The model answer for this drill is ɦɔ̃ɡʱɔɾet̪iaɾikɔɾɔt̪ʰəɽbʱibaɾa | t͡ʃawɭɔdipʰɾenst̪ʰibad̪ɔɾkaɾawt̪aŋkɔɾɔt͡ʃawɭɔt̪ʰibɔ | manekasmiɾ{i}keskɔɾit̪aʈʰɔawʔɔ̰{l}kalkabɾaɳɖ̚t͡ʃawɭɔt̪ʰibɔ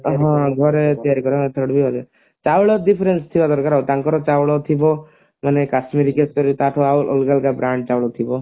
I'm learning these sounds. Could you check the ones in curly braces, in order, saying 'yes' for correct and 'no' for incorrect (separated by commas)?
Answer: yes, yes